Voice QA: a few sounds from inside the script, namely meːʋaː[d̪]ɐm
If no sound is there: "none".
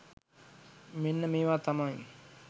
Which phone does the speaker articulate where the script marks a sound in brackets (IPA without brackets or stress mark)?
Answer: t̪